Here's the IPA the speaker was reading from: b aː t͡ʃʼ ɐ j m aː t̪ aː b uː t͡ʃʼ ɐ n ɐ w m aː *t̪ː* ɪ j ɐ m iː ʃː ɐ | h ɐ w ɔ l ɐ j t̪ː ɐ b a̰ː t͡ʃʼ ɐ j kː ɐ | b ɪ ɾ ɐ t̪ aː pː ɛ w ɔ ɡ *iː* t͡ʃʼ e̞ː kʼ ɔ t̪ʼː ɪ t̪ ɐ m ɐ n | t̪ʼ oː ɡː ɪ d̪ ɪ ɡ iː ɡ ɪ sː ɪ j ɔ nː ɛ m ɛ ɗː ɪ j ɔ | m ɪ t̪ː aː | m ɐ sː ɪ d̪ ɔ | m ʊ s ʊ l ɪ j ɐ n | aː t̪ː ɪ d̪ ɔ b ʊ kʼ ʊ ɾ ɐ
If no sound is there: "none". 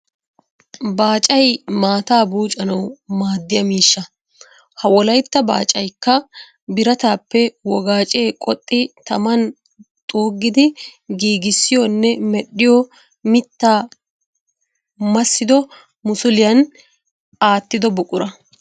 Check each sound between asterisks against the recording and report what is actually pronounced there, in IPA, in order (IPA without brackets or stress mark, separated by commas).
d̪ː, aː